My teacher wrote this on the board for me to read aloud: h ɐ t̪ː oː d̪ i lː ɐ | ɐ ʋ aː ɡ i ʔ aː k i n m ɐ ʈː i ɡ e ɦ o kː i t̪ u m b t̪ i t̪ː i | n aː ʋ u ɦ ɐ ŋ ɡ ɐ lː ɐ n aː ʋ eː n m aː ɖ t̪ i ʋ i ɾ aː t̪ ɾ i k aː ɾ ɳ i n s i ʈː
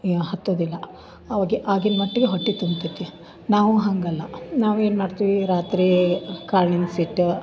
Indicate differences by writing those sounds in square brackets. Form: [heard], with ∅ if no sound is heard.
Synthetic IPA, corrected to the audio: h ɐ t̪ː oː d̪ i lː ɐ | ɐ ʋ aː ɡ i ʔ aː [ɡ] i n m ɐ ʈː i ɡ e ɦ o [ʈː] i t̪ u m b t̪ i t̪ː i | n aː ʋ u ɦ ɐ ŋ ɡ ɐ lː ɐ n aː ʋ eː n m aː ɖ t̪ i ʋ i ɾ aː t̪ ɾ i k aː ɾ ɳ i n s i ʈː